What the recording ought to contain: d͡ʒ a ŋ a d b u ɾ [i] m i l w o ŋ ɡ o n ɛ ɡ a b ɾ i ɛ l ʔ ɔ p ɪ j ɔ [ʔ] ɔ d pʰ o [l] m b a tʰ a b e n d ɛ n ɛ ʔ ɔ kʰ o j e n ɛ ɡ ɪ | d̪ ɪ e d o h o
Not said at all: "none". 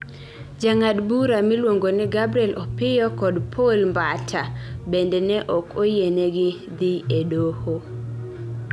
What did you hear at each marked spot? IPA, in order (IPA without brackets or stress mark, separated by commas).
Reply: a, k, l